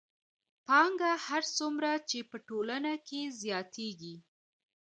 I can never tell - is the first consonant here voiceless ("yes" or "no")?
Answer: yes